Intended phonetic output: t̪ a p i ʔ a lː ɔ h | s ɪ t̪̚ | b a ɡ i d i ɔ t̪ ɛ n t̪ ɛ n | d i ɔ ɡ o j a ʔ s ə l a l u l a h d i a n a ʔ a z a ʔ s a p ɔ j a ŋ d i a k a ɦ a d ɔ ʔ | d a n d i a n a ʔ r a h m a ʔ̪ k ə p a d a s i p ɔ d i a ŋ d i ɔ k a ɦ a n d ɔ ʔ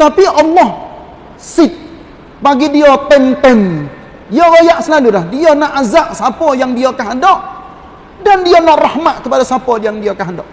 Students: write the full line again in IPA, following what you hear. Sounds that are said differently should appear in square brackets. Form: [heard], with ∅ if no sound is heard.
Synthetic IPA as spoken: t̪ a p i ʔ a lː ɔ h | s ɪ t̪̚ | b a ɡ i d i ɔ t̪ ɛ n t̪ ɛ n | d i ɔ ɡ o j a ʔ s ə l a l u l a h d i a n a ʔ a z a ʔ s a p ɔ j a ŋ d i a k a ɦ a d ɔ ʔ | d a n d i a n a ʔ r a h m a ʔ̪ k ə p a d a s [a] p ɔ d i a ŋ d i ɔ k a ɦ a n d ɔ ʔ